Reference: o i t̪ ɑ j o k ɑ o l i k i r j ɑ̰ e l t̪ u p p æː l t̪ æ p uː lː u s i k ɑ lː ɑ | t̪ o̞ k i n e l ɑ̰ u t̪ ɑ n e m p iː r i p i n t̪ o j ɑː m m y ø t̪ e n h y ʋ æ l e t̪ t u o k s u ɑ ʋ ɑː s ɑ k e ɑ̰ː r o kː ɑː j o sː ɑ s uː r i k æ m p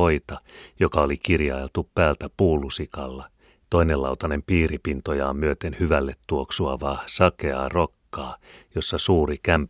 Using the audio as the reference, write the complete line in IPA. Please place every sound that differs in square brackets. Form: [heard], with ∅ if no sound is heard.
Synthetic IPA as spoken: o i t̪ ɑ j o k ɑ o l i k i r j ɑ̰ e l t̪ u p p æː l t̪ æ p uː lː u s i k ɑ lː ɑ | t̪ o̞ [∅] i n e l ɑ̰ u t̪ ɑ n e m p iː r i p i n t̪ o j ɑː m m y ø t̪ e n h y ʋ æ [lː] e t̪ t u o k s u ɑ ʋ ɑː s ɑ k e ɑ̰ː r o kː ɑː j o sː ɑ s uː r i k æ m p